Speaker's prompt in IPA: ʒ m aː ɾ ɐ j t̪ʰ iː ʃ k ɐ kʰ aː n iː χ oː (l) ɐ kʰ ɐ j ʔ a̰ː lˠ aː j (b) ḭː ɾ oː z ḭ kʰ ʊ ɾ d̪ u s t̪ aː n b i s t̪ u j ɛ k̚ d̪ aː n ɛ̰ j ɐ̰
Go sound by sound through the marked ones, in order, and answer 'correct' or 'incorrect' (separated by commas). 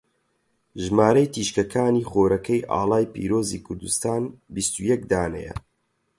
incorrect, incorrect